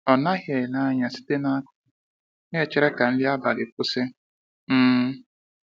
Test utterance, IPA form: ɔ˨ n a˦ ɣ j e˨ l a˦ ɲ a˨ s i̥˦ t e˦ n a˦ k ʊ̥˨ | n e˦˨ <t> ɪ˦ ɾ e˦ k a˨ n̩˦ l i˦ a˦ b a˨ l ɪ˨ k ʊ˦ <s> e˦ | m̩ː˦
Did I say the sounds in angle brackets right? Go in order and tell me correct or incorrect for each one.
incorrect: t͡ʃ, correct

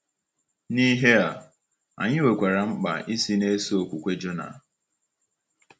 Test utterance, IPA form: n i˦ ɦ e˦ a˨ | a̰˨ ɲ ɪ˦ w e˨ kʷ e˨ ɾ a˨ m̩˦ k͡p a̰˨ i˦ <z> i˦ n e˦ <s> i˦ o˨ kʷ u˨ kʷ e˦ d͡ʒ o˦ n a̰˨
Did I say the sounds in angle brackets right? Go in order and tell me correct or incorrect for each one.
incorrect: s, correct

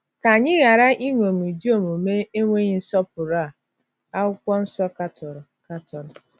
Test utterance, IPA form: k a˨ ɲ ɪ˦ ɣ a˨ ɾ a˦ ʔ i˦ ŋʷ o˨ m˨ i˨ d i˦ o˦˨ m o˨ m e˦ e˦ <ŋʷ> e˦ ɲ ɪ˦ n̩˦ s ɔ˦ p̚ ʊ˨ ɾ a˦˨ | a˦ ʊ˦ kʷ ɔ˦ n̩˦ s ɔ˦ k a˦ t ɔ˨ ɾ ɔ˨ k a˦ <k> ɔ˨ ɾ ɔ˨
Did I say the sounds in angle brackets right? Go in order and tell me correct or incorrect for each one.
correct, incorrect: t

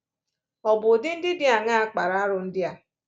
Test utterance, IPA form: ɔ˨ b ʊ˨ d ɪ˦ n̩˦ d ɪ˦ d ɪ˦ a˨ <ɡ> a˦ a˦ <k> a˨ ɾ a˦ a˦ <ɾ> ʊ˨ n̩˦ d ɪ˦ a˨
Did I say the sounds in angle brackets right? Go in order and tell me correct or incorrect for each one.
incorrect: ŋ, incorrect: k͡p, correct

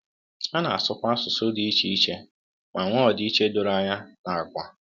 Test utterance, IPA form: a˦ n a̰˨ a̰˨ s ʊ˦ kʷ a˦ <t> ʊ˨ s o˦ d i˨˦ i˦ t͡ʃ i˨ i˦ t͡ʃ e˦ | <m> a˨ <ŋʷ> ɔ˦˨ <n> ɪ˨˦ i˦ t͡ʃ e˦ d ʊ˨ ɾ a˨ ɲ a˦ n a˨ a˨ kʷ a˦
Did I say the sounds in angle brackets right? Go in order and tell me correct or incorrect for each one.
incorrect: s, correct, correct, incorrect: d

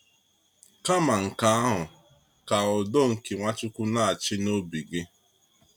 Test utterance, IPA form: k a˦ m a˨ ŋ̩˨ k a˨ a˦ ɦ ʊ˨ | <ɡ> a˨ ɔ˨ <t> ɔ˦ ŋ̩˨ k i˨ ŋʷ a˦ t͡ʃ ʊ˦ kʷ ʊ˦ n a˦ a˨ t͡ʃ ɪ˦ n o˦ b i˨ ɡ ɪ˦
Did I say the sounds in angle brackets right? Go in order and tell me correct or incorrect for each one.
incorrect: k, incorrect: d

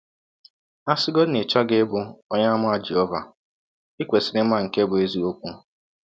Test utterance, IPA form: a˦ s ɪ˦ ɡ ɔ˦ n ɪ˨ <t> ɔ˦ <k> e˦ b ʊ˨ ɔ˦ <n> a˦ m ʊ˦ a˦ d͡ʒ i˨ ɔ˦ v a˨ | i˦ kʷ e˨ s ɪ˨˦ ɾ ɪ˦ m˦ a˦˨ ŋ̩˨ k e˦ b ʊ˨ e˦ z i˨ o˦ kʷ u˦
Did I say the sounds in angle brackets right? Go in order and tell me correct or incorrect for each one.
incorrect: t͡ʃ, incorrect: ɡ, incorrect: ɲ

